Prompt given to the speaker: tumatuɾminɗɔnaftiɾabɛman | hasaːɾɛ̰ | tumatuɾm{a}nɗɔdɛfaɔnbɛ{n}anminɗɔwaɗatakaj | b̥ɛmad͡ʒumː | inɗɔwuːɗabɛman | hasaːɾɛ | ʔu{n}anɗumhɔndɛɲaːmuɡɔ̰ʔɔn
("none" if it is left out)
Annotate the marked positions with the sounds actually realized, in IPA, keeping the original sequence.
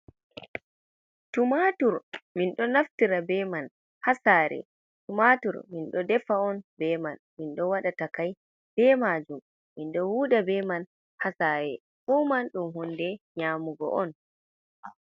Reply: i, m, m

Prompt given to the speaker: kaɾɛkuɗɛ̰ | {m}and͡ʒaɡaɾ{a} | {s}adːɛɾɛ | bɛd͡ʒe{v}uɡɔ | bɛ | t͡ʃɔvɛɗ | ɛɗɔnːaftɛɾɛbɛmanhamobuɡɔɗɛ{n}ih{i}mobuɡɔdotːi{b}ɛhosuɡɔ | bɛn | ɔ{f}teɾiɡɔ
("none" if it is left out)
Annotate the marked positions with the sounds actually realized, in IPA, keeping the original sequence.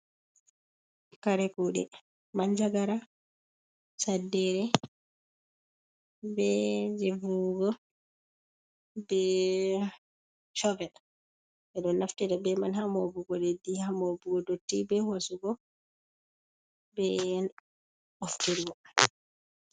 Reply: m, a, s, v, d, a, b, f

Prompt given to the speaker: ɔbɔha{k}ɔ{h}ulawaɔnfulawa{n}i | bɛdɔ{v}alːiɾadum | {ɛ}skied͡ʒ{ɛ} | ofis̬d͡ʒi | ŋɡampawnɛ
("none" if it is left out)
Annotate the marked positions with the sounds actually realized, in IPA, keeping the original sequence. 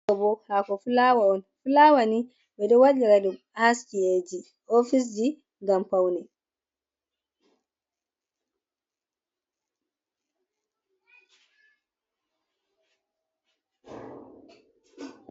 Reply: k, f, n, w, a, i

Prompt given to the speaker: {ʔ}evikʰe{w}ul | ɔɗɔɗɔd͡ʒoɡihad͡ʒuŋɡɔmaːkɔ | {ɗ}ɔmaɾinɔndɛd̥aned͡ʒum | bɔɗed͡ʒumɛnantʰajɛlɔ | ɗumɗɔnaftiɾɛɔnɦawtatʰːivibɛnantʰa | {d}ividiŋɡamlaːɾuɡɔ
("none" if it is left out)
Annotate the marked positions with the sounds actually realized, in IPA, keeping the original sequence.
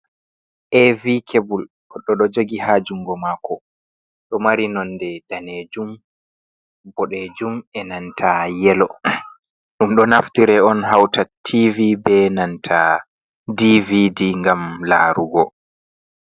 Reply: ʔ, b, ɗ, d

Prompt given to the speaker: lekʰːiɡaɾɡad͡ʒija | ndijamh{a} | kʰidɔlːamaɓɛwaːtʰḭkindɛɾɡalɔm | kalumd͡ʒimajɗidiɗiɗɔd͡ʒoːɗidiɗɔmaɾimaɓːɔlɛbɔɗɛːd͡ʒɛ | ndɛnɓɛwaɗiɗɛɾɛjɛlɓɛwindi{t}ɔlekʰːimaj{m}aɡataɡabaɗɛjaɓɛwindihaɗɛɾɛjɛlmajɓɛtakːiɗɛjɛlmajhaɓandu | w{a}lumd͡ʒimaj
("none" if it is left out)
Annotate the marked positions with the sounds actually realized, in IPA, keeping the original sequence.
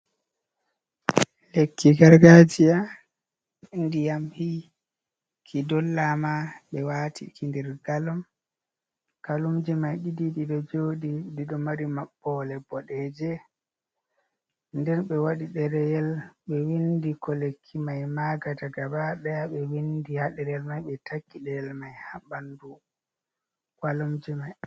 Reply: i, k, m, a

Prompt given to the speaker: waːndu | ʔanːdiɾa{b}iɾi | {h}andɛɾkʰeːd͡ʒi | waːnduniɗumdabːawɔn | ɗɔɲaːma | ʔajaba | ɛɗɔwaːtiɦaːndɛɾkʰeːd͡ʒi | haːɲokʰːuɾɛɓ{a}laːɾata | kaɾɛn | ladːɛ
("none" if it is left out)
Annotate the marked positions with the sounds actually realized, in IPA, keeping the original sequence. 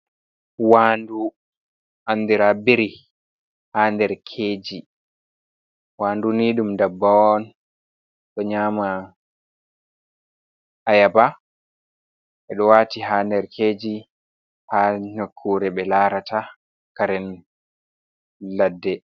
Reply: b, h, ɛ

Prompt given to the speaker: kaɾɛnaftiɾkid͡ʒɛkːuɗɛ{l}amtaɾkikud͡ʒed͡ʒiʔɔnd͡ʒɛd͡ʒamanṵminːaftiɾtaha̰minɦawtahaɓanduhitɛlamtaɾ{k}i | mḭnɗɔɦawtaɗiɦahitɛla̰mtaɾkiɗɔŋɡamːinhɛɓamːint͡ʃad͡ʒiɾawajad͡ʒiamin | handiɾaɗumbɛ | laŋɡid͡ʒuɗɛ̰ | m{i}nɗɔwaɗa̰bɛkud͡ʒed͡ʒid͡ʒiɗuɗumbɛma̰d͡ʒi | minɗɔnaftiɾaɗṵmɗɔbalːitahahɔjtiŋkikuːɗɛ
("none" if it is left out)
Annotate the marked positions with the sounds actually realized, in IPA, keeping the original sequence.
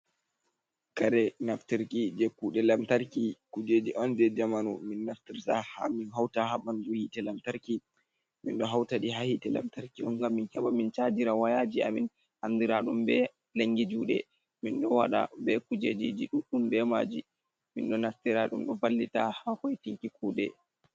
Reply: l, k, i

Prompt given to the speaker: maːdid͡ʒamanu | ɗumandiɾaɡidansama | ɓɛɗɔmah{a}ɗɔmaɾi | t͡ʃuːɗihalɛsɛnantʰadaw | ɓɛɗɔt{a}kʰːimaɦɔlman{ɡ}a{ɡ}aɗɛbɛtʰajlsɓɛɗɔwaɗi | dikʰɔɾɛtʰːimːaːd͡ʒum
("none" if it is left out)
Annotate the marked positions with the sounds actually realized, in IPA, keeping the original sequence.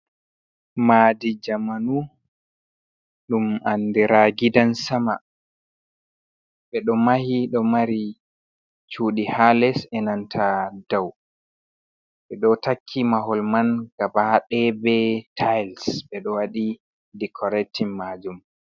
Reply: i, a, ɡ, b

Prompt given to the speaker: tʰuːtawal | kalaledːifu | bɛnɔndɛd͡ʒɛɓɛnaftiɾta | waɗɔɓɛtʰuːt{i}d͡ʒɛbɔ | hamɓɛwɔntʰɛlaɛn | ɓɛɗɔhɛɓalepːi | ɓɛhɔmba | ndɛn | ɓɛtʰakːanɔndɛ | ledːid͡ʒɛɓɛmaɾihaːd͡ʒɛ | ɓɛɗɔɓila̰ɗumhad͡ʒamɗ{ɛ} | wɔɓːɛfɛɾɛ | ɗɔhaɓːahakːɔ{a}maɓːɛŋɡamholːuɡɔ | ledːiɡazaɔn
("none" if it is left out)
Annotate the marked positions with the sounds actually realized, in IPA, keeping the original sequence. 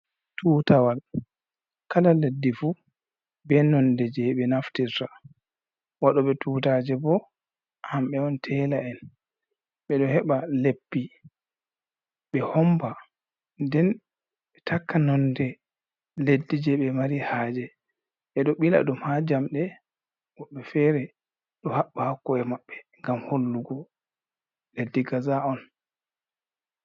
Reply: a, ɛ, ɛ

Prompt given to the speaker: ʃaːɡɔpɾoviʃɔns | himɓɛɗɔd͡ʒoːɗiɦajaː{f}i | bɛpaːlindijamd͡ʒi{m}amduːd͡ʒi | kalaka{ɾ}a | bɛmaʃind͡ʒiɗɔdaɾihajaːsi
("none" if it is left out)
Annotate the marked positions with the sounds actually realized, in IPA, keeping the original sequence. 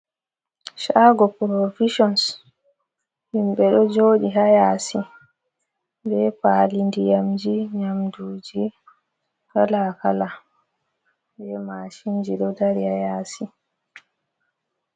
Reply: s, ɲ, l

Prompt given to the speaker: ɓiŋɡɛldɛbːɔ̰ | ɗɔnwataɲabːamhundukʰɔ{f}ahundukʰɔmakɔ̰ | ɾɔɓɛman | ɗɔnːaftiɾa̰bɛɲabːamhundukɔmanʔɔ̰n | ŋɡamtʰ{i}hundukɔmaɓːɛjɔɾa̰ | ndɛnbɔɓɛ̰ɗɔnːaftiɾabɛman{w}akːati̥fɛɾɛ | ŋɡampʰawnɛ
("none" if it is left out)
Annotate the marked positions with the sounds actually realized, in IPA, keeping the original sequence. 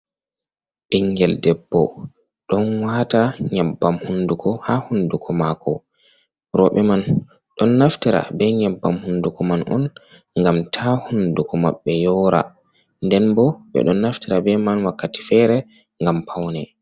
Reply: h, a, w

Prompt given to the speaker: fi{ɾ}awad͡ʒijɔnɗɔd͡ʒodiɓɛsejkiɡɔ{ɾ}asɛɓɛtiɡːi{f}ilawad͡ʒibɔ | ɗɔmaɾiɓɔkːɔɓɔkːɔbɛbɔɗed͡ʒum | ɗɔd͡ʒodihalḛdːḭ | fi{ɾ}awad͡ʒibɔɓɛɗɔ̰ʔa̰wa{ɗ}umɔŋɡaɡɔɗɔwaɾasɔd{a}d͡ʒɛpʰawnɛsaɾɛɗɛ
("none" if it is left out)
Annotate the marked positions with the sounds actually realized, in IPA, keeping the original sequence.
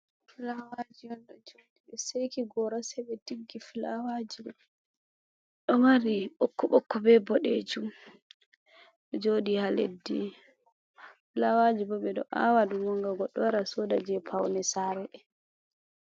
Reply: l, ɾ, f, l, d, a

